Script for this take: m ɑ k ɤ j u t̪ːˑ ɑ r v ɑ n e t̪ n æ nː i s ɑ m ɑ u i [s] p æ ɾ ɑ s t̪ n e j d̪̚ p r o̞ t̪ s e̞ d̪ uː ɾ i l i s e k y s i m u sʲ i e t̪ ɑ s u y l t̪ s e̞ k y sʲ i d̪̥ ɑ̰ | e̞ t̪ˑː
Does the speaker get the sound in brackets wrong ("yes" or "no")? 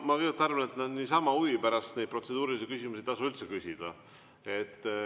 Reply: yes